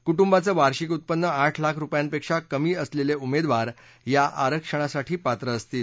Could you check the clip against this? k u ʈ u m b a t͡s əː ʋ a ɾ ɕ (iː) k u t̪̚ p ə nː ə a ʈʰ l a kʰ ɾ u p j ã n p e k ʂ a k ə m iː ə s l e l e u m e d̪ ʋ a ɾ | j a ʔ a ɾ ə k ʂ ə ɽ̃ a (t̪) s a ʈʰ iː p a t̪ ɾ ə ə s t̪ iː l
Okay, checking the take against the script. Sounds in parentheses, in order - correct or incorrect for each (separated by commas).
incorrect, incorrect